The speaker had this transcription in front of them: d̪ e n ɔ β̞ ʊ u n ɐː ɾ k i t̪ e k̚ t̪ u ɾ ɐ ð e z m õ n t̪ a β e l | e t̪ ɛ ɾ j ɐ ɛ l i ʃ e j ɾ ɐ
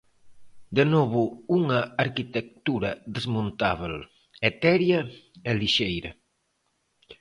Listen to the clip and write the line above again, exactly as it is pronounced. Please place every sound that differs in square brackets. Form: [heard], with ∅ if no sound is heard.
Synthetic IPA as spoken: d̪ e n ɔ β̞ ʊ u [ŋ] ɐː ɾ k i t̪ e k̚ t̪ u ɾ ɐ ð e z m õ n t̪ a β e l | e t̪ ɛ ɾ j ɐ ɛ l i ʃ e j ɾ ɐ